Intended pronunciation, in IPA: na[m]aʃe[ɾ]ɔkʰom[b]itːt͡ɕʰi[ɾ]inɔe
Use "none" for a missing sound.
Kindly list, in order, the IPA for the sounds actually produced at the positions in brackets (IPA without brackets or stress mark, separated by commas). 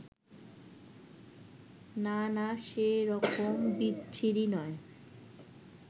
n, ɾ, b, ɾ